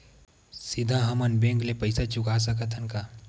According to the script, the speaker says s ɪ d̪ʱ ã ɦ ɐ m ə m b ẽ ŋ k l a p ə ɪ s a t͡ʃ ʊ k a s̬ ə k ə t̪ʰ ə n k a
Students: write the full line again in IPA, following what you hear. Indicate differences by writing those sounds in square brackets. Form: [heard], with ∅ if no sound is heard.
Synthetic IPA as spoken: s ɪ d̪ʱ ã ɦ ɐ m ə [n] b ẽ ŋ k l [e] p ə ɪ s a t͡ʃ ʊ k a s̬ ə k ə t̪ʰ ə n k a